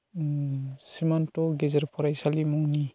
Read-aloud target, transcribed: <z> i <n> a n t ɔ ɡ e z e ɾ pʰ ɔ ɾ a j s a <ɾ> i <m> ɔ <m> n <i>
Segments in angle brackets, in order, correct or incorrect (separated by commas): incorrect, incorrect, incorrect, correct, incorrect, correct